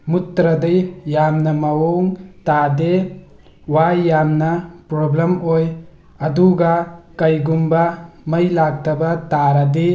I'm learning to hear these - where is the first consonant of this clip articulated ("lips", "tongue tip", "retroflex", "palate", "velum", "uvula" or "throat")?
lips